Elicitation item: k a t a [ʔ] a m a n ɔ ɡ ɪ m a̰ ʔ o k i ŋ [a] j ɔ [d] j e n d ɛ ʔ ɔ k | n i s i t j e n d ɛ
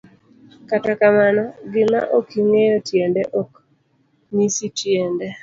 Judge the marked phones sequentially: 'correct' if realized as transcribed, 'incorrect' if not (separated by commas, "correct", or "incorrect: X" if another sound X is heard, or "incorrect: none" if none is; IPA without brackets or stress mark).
incorrect: k, incorrect: e, incorrect: t